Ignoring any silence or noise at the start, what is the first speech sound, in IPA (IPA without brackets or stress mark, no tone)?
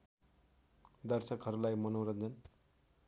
d̪